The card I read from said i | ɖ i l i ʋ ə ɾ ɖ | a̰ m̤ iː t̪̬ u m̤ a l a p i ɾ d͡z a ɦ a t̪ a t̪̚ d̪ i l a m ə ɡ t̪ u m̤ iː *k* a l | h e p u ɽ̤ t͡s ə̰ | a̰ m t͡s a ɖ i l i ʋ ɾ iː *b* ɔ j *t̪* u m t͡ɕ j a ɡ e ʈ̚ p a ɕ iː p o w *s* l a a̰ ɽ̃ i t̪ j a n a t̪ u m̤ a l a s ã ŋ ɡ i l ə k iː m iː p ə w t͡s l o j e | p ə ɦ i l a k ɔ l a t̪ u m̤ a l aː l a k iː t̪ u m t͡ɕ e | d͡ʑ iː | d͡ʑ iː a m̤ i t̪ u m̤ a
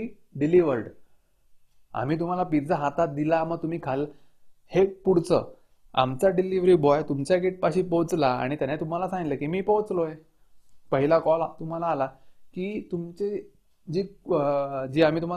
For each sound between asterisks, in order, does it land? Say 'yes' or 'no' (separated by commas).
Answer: no, yes, yes, no